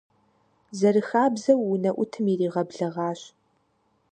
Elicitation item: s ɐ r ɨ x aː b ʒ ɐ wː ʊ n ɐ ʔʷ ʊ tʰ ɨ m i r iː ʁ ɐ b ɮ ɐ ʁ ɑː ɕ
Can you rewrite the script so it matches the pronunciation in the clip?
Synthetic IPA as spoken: z ɐ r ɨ x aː b z ɐ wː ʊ n ɐ ʔʷ ʊ tʰ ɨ m i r iː ʁ ɐ b ɮ ɐ ʁ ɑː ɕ